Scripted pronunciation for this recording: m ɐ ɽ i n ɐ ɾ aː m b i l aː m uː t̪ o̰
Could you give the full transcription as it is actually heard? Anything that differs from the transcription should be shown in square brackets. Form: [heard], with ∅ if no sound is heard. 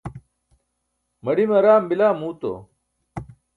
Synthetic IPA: m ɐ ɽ i [m] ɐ ɾ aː m b i l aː m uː t̪ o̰